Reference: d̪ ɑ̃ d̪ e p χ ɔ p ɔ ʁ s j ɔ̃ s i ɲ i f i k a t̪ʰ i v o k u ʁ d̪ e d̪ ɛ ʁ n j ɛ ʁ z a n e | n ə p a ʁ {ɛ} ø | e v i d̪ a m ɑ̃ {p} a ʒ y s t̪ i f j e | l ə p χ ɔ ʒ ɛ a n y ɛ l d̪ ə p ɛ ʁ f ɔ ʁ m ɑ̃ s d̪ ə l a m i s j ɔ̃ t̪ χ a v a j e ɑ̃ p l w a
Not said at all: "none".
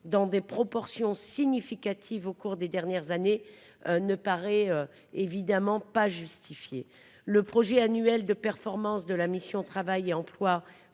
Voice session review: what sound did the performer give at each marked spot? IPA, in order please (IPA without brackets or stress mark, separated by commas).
ɛ, p